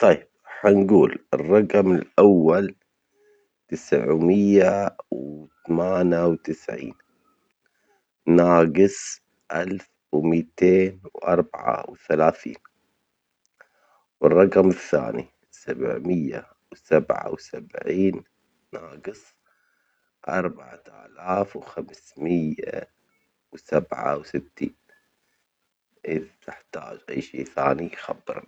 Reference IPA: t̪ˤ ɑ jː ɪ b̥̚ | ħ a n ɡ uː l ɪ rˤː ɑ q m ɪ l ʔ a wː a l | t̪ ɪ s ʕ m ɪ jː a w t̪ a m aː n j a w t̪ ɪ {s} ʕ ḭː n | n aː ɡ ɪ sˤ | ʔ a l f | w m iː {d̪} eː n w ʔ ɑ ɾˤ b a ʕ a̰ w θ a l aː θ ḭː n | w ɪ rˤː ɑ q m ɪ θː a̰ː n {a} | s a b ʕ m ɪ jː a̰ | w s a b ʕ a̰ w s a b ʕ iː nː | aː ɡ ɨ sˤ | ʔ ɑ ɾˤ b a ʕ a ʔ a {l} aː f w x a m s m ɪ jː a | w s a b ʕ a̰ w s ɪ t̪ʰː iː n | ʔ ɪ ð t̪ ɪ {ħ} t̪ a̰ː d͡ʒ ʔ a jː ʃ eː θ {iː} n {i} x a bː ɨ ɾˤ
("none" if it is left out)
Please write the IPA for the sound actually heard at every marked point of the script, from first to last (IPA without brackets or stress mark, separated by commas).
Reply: s, t̪, i, l, ħ, aː, i